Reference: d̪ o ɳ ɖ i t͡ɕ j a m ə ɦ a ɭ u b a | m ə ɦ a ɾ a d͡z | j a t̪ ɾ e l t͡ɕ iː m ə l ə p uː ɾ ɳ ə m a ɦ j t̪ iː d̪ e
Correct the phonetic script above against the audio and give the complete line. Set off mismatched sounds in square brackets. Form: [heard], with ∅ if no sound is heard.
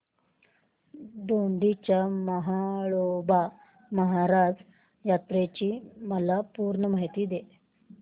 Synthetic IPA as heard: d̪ o ɳ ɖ i t͡ɕ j a m ə ɦ a ɭ [o] b a | m ə ɦ a ɾ a d͡z | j a t̪ ɾ e [∅] t͡ɕ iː m ə l [a] p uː ɾ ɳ ə m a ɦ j t̪ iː d̪ e